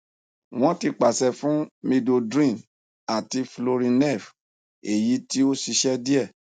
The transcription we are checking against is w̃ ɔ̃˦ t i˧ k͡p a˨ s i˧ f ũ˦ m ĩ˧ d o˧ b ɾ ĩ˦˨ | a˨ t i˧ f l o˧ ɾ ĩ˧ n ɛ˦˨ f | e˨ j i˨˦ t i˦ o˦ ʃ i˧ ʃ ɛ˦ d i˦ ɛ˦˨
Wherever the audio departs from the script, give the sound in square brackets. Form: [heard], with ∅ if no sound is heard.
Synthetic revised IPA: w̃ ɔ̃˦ t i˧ k͡p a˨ s [ɛ˧] f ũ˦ m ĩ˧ d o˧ [d] ɾ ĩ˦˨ | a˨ t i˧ f l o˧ ɾ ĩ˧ n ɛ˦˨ f | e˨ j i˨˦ t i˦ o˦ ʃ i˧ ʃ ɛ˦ d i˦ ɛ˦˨